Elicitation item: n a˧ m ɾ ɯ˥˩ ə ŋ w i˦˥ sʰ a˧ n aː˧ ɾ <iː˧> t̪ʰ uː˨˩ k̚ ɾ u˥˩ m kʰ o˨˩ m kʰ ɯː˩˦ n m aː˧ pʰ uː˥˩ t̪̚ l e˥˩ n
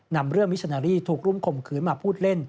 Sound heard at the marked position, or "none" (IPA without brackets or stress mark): iː˥˩